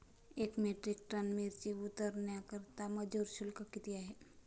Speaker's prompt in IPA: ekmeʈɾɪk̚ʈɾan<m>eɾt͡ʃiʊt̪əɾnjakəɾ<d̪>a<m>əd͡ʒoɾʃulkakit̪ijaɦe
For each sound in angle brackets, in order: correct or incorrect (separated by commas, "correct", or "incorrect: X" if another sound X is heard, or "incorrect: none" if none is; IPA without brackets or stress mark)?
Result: correct, incorrect: t̪, correct